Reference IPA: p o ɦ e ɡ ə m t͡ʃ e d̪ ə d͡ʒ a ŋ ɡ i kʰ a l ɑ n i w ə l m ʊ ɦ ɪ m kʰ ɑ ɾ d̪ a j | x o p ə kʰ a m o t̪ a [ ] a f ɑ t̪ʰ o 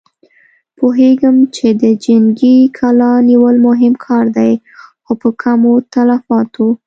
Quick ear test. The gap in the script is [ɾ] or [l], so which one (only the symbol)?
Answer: l